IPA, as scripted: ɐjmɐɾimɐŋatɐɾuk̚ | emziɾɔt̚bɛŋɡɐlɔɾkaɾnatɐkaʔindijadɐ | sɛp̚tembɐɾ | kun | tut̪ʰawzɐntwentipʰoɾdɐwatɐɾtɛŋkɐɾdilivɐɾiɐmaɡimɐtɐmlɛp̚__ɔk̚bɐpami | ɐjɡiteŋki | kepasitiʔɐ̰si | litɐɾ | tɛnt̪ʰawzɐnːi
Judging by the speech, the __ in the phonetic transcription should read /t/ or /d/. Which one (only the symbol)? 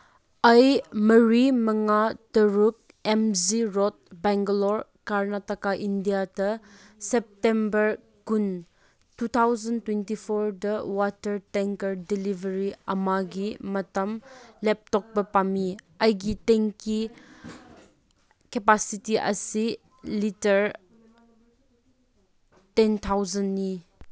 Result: t